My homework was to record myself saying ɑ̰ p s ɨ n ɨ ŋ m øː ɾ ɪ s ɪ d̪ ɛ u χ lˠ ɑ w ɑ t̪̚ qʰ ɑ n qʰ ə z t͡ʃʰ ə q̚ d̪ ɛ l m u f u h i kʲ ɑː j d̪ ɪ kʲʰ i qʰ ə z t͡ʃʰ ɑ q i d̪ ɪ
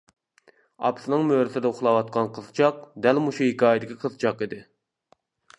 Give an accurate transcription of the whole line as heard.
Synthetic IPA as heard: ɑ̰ p s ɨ n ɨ ŋ m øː ɾ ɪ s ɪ d̪ ɛ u χ lˠ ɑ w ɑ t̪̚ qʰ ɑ n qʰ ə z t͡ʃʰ ɑ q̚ d̪ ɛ l m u ʃ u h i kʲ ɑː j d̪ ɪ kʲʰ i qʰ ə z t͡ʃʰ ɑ q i d̪ ɪ